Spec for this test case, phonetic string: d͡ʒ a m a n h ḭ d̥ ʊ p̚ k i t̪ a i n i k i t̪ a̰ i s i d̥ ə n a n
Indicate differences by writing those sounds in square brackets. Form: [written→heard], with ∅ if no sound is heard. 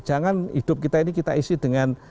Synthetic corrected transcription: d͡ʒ a [m→ŋ] a n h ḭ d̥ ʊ p̚ k i t̪ a i n i k i t̪ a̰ i s i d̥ ə [n→ŋ] a n